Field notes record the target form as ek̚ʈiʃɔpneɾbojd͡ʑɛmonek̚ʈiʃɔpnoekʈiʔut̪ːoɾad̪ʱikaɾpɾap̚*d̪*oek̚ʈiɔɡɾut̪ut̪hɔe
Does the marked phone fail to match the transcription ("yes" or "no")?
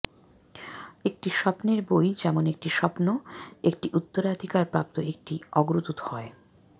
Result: yes